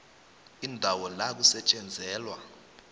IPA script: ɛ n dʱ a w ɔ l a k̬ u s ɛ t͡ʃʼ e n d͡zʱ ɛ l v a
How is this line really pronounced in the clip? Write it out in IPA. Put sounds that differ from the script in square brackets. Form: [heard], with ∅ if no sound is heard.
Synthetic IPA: [i] n dʱ a w ɔ l a k̬ u s ɛ t͡ʃʼ [ɛ] n d͡zʱ [ɛː] l [w] a